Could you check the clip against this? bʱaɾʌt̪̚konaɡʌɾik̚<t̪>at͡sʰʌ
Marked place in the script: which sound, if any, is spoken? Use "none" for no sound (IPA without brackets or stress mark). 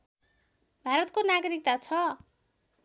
t̪